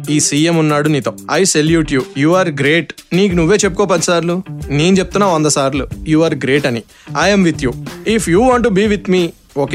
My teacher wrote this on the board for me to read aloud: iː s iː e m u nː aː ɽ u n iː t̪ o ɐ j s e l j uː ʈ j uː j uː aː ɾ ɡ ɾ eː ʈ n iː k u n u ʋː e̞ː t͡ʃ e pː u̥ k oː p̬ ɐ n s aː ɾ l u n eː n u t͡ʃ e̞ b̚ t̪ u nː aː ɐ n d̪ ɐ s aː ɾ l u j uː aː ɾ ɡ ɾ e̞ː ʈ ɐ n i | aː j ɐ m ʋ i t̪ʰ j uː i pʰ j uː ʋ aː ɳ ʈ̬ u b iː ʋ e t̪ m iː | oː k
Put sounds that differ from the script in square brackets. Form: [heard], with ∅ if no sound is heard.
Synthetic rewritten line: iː s iː e m u nː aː ɽ u n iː t̪ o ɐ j s e l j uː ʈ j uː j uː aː ɾ ɡ ɾ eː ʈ n iː k u n u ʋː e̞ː t͡ʃ e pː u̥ k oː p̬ ɐ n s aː ɾ l u n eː n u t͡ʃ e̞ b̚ t̪ u nː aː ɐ n d̪ ɐ s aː ɾ l u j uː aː ɾ ɡ ɾ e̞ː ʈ ɐ n i | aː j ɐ m ʋ i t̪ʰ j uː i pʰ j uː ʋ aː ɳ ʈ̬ u b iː ʋ [i] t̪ m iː | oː k